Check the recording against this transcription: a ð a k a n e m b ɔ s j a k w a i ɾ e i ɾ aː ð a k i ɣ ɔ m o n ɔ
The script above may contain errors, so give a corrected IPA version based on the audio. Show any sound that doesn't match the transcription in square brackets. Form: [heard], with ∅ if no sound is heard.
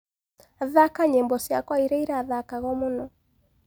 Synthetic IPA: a ð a k a [ɲ] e m b ɔ s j a k w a i ɾ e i ɾ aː ð a k [a] ɣ ɔ m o n ɔ